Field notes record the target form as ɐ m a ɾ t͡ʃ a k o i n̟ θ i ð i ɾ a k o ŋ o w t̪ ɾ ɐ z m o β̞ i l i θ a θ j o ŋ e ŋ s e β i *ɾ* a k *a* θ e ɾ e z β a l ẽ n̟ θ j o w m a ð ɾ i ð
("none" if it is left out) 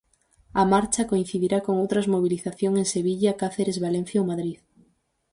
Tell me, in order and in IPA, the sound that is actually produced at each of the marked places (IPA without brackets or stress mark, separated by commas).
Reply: ʎ, a